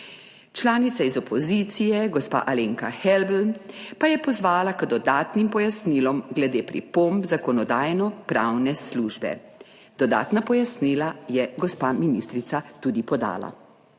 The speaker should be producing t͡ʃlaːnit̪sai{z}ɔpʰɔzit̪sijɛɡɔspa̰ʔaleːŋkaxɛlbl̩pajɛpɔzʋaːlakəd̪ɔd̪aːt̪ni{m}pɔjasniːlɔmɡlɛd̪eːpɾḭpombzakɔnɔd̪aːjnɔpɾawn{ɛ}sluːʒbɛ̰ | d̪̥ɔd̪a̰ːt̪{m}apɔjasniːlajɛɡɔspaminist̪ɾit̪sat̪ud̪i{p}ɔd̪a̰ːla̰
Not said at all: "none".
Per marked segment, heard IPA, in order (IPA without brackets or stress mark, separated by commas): z, m, ɛ, n, p